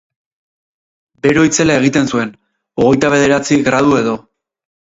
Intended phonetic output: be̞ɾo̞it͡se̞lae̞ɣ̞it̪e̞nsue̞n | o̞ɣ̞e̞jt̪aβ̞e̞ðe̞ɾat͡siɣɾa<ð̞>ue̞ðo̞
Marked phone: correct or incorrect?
correct